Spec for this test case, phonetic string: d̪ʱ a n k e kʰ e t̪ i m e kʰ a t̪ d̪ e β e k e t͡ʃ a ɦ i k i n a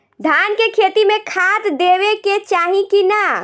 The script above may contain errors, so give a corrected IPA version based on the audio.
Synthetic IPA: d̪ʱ a n k e kʰ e t̪ i m e kʰ a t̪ d̪ e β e k e t͡ʃ a ɦ i k i n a